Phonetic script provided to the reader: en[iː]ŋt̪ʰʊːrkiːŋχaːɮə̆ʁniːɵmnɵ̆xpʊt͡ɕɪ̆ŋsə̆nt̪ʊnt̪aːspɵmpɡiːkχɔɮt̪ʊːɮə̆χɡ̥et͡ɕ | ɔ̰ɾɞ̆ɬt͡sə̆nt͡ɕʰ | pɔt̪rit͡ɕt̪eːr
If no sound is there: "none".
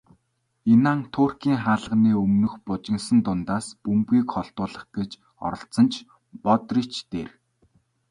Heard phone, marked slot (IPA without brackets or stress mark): aː